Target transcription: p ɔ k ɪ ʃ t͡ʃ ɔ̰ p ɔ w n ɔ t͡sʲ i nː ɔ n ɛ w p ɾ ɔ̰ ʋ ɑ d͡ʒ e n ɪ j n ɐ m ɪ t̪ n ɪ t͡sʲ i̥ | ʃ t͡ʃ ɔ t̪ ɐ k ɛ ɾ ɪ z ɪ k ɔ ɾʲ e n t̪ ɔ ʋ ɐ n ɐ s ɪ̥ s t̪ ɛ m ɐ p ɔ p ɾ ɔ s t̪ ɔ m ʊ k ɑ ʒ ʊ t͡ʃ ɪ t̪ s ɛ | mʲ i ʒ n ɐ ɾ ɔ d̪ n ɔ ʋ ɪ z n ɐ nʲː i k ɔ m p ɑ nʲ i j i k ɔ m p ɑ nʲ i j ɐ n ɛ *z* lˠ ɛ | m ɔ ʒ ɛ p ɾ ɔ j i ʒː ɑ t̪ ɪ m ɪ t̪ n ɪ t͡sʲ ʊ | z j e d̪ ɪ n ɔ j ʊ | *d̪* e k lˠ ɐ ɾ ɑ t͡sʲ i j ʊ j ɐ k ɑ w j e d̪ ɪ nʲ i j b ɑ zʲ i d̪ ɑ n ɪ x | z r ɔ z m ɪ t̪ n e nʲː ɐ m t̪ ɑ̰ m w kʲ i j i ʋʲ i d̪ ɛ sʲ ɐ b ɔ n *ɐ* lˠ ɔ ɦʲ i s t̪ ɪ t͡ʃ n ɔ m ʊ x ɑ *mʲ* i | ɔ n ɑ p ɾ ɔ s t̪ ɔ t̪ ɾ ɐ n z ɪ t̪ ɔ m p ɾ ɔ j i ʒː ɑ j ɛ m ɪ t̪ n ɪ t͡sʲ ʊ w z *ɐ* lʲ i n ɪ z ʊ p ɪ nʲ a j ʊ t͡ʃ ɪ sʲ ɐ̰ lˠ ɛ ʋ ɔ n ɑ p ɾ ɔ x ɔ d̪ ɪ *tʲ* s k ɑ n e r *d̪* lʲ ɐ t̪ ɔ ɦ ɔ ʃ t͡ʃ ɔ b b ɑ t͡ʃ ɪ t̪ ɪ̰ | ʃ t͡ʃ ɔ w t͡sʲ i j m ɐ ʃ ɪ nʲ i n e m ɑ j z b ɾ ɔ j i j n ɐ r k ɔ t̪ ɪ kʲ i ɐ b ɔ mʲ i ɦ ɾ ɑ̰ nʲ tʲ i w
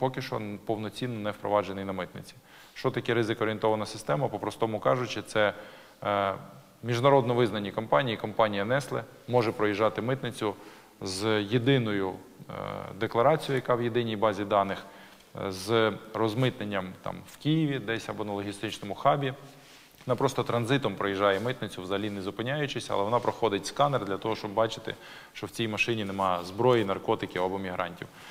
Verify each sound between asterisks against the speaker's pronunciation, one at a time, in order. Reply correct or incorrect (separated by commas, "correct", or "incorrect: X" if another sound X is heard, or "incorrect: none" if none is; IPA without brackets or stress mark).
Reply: incorrect: s, correct, correct, incorrect: bʲ, correct, correct, correct